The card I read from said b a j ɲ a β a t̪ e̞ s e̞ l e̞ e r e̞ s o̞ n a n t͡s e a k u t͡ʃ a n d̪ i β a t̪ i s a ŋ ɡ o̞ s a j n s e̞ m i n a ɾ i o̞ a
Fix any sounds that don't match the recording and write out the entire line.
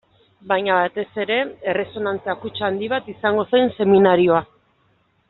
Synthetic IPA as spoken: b a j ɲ a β a t̪ e̞ s e̞ ɾ e̞ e r e̞ s o̞ n a n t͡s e a k u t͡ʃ a n d̪ i β a t̪ i s a ŋ ɡ o̞ s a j n s e̞ m i n a ɾ i o̞ a